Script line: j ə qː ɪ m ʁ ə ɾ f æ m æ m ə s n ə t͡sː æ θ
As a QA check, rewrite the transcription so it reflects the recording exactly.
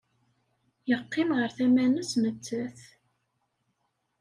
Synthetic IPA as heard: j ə qː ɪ m ʁ ə ɾ θ æ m æ n ə s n ə t͡sː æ θ